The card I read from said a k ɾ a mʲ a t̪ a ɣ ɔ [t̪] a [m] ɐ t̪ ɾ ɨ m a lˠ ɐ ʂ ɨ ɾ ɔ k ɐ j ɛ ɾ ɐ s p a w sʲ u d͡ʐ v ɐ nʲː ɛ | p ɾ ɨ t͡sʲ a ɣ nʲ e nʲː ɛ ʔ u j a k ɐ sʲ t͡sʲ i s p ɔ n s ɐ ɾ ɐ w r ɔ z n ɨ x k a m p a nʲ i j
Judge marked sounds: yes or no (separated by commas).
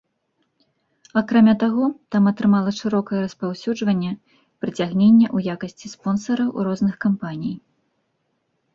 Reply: yes, yes